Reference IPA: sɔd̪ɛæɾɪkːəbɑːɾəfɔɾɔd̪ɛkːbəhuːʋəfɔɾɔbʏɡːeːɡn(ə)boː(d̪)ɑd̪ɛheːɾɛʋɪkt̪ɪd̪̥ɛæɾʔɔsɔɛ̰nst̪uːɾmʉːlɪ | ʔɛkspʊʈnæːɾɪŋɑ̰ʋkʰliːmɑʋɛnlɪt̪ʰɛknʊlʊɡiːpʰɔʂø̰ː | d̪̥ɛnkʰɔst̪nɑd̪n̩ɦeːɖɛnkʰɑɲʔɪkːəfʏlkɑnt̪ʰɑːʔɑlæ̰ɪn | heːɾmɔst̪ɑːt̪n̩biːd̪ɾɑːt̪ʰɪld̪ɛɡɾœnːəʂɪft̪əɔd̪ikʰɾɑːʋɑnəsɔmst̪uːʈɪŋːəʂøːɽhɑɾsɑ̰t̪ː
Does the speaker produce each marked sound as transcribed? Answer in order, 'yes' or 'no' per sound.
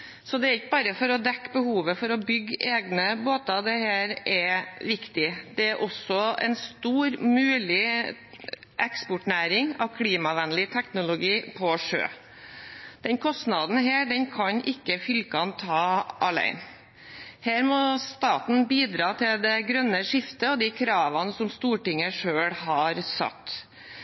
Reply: yes, no

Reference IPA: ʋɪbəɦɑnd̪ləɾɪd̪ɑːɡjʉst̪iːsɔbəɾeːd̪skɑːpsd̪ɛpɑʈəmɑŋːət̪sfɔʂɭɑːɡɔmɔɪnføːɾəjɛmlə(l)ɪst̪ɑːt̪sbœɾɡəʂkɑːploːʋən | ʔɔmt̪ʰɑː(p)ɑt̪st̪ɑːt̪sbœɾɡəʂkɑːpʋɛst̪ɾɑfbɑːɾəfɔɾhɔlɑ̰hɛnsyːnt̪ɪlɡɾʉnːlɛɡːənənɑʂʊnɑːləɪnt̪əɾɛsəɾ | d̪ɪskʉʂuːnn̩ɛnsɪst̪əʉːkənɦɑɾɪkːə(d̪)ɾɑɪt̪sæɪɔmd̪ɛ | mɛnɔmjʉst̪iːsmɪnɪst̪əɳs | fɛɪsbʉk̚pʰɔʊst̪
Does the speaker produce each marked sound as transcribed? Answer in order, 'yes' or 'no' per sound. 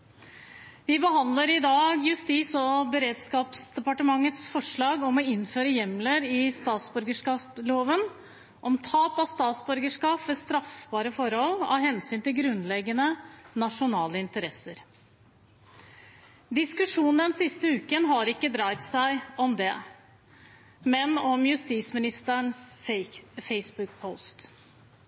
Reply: no, yes, yes

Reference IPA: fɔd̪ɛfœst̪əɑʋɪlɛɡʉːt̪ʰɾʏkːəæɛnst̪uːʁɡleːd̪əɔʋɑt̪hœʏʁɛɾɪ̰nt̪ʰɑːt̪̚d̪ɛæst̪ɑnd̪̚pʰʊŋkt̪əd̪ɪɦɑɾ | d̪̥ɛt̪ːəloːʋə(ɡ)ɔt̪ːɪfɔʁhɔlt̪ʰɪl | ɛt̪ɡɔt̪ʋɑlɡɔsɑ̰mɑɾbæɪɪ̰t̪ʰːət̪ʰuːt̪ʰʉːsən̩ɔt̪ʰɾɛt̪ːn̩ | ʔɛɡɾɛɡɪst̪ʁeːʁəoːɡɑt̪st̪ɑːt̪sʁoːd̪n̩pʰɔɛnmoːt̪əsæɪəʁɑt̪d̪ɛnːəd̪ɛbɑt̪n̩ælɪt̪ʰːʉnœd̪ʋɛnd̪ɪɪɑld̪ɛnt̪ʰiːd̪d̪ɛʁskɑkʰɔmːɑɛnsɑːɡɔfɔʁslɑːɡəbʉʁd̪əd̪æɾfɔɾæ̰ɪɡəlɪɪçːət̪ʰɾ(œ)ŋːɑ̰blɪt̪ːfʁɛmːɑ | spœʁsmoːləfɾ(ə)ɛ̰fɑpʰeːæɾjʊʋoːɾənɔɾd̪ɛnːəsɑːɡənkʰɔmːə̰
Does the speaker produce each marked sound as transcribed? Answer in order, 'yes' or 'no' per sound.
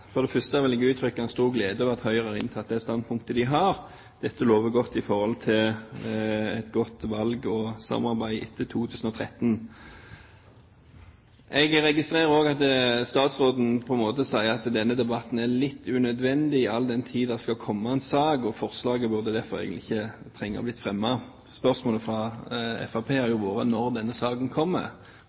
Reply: yes, no, no

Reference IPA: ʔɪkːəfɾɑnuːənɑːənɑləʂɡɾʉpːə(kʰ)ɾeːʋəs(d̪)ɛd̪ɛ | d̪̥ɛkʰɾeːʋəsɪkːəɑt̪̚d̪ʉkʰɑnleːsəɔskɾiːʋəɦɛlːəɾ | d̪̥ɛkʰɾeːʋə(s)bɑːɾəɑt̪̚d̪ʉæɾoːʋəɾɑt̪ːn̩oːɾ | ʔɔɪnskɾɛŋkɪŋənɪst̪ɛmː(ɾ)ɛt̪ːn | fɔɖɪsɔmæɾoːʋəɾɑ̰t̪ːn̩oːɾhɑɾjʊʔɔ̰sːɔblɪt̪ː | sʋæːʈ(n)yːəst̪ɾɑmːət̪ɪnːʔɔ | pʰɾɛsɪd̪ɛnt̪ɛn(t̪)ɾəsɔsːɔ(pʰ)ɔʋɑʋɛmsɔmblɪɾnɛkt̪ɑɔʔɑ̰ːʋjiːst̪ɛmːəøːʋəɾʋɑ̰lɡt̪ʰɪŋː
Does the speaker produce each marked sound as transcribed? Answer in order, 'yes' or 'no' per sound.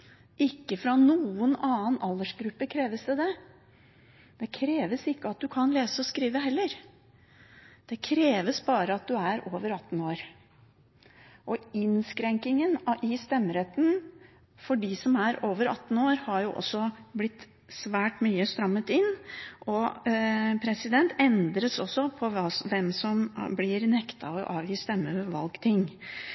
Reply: yes, yes, yes, yes, no, no, yes

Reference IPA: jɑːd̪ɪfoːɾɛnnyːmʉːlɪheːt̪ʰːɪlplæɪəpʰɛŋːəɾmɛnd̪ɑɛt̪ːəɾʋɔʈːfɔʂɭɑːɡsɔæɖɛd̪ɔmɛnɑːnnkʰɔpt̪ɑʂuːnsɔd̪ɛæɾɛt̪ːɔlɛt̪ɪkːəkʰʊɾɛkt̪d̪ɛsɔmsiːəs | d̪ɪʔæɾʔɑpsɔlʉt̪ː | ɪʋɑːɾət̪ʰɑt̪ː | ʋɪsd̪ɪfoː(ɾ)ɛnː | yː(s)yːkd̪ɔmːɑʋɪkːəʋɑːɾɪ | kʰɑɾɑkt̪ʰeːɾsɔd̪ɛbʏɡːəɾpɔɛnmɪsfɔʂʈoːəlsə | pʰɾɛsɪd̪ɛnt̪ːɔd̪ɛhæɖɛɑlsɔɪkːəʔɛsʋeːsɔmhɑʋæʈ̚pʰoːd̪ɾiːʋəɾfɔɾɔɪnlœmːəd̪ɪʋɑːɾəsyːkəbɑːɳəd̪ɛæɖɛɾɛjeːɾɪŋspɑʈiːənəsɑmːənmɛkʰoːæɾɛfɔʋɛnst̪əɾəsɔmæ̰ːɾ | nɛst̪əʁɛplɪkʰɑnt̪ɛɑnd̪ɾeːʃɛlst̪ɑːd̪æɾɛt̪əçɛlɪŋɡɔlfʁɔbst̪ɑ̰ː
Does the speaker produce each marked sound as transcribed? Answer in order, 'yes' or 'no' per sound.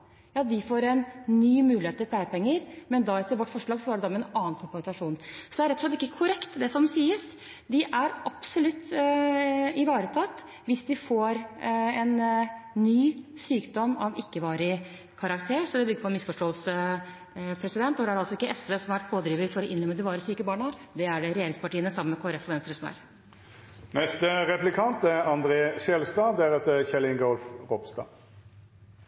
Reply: yes, yes

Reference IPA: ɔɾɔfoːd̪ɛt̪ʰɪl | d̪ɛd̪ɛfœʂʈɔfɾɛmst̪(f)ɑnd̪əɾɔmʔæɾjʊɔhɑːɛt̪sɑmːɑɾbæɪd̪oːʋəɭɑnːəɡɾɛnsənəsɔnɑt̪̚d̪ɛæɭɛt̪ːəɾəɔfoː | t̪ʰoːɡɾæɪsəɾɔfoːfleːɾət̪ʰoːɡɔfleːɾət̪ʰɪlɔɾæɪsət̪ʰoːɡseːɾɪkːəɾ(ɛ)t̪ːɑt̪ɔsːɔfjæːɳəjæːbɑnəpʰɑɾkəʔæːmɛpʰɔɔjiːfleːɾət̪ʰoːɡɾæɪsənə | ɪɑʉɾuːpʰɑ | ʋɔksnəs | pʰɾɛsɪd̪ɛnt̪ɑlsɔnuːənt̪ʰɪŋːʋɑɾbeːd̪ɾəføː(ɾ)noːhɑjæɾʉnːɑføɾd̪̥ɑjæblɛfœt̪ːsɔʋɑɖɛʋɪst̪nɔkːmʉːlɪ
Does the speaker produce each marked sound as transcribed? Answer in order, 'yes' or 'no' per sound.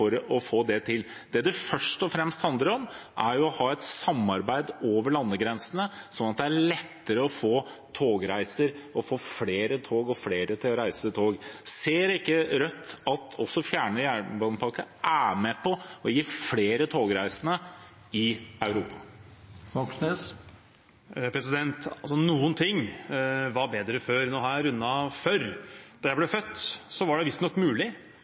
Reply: no, no, yes

